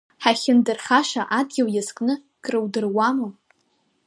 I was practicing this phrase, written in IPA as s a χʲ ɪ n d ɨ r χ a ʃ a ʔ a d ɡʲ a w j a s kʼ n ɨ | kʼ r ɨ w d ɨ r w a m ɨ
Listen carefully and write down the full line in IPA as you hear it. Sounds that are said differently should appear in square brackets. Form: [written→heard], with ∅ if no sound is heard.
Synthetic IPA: [s→ħ] a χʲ ɪ n d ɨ r χ a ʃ a ʔ a d ɡʲ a w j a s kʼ n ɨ | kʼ r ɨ w d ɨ r w a m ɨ